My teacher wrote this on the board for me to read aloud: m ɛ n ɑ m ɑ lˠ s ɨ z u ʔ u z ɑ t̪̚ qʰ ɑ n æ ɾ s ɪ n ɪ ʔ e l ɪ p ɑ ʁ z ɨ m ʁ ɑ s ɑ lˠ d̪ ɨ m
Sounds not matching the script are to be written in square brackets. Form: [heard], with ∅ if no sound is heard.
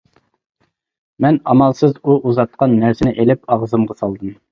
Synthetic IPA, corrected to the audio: m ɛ n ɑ m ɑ lˠ s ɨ z u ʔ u z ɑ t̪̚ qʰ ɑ [nː] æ ɾ s ɪ n ɪ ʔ e l ɪ p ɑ ʁ z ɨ m ʁ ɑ s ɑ lˠ d̪ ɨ m